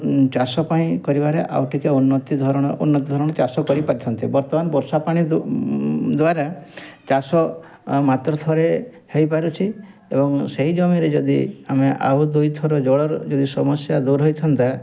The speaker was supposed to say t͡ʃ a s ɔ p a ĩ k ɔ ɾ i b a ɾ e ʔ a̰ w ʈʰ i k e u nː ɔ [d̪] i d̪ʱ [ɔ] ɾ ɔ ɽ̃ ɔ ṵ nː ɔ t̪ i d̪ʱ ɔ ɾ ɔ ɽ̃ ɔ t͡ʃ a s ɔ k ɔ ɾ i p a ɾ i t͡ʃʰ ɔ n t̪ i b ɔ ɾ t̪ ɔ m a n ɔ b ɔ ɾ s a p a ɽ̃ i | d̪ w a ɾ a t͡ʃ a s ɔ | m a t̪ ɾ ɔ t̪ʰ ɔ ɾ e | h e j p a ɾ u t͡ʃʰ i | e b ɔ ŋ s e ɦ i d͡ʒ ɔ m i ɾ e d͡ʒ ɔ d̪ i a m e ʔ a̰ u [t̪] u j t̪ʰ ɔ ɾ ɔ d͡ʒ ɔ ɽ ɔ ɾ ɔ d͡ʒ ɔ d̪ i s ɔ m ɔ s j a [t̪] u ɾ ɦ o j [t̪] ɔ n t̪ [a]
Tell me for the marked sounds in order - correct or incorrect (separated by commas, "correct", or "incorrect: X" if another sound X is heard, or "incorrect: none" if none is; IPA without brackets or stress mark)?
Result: incorrect: t̪, correct, incorrect: d̪, incorrect: d̪, incorrect: t̪ʰ, correct